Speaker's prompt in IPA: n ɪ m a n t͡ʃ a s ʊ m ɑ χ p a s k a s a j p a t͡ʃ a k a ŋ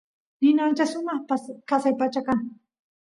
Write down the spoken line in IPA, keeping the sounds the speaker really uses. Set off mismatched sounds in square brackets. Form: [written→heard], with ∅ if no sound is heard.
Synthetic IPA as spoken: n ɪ [m→n] a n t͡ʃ a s ʊ m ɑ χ p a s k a s a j p a t͡ʃ a k a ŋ